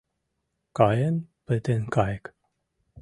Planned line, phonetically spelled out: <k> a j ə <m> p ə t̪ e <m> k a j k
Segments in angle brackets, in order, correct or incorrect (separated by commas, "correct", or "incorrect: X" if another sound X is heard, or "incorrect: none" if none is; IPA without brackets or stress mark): correct, incorrect: n, incorrect: n